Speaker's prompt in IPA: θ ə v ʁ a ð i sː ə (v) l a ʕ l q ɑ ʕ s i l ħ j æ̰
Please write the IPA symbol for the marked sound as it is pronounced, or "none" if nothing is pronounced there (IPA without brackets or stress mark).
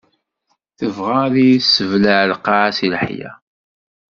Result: v